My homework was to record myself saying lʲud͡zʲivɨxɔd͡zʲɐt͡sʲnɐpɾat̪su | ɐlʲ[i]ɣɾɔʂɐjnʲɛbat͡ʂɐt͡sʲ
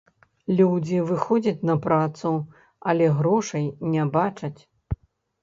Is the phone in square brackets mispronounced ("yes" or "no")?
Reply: yes